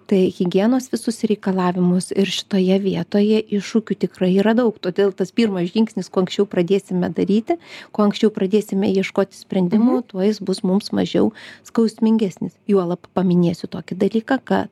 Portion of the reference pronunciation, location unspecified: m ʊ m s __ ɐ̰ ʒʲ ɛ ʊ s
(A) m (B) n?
A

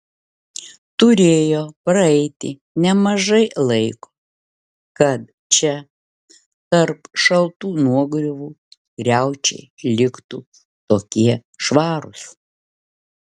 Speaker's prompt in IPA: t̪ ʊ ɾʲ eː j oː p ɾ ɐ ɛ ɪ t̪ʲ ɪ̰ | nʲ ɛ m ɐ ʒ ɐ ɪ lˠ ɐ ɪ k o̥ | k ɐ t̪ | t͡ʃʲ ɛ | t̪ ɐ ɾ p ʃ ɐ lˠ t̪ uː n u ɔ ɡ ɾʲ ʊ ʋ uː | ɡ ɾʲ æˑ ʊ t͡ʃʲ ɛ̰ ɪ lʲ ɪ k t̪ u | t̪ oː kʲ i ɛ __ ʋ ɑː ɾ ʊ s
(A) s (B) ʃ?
B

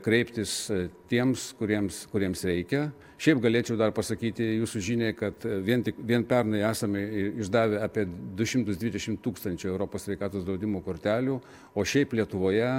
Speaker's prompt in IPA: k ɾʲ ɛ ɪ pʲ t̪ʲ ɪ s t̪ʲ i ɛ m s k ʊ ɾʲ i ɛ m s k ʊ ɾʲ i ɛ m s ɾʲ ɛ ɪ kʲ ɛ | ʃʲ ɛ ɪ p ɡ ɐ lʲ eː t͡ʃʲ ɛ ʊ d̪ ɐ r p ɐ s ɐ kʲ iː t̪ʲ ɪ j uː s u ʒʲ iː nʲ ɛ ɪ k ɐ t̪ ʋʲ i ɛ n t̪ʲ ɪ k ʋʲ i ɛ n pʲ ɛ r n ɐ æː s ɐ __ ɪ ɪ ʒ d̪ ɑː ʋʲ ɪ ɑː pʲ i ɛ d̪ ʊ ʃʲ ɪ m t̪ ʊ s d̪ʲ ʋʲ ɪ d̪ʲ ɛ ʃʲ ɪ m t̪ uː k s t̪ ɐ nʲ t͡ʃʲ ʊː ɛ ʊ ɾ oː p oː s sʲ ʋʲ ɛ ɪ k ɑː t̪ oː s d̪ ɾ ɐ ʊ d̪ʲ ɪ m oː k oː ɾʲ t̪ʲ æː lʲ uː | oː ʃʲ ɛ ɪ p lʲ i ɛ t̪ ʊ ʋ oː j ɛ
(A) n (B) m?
B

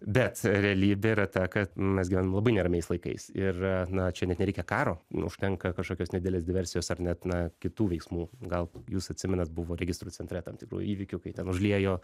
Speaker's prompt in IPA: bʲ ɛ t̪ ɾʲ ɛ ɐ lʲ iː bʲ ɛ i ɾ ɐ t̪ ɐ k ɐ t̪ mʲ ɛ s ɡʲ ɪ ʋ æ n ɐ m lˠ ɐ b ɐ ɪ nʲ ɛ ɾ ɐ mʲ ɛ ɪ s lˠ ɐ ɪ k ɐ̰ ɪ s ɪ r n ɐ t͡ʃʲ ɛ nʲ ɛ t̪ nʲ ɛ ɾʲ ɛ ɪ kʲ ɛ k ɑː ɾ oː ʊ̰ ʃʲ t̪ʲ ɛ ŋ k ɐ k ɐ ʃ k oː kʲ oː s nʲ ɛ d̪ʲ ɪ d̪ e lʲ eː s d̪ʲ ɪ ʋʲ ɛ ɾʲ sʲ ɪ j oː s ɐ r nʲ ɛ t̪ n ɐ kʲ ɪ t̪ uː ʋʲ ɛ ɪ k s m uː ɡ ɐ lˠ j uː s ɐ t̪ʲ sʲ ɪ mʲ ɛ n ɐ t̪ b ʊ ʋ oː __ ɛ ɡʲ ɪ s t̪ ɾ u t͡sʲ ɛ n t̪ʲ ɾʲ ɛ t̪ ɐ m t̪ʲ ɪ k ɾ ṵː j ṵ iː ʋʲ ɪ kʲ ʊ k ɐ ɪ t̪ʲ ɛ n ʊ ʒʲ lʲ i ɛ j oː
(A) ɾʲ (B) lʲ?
A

